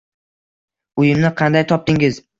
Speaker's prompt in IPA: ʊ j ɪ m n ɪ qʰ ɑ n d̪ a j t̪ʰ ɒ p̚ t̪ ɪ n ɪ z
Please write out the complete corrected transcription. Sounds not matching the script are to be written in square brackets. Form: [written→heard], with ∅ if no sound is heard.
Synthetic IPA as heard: ʊ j ɪ m n ɪ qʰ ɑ n d̪ a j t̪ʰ ɒ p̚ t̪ ɪ [n→ŋ] ɪ z